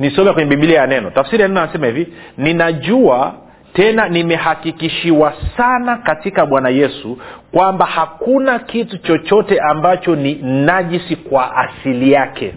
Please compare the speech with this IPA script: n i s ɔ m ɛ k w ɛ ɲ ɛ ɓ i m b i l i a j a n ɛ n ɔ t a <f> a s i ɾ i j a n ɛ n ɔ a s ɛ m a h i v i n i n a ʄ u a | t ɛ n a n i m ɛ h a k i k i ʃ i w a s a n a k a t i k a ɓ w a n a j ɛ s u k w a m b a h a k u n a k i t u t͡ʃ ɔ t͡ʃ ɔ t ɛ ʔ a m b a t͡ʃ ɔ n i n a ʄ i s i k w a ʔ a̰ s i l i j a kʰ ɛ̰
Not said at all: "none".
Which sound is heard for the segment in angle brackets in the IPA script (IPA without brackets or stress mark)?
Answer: f